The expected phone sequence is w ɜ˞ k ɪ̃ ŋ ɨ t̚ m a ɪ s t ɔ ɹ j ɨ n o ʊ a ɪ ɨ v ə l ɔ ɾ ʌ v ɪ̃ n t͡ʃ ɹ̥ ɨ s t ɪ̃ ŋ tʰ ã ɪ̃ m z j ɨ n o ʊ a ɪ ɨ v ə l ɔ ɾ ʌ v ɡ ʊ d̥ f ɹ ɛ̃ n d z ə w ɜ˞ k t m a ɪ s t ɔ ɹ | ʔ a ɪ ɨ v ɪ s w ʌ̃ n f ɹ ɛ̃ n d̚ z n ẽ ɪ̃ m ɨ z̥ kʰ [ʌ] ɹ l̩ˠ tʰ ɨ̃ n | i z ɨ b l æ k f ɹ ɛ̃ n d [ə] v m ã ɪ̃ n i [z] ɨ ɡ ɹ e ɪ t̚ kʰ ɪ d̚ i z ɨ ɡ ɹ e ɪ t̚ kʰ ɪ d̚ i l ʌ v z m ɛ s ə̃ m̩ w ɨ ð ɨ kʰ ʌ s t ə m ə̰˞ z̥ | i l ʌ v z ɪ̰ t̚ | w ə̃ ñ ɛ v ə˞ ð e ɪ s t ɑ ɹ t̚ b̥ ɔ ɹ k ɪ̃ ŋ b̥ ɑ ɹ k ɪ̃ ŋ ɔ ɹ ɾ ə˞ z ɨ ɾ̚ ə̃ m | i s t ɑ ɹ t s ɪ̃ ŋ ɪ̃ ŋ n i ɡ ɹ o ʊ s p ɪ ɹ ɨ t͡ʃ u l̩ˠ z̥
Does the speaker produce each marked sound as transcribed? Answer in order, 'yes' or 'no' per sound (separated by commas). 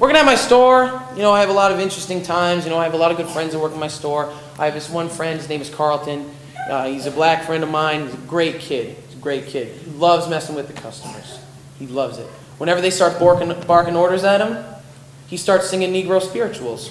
no, no, yes